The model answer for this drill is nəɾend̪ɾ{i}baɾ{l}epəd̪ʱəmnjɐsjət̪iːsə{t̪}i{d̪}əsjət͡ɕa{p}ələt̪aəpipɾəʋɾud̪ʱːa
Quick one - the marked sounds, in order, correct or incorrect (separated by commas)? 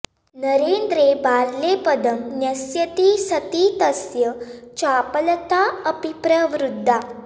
incorrect, correct, correct, incorrect, correct